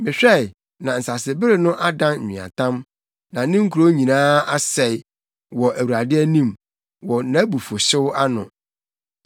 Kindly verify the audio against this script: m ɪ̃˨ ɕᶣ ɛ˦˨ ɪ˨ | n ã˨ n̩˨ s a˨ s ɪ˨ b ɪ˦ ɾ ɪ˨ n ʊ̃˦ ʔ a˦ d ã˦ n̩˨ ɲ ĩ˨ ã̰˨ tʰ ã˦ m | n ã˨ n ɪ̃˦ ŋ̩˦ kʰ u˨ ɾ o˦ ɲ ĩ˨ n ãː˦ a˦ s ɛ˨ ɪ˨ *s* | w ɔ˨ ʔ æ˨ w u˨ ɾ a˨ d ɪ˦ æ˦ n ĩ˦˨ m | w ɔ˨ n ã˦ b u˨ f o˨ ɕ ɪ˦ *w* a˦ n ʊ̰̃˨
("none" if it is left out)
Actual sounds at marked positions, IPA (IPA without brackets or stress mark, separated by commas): none, w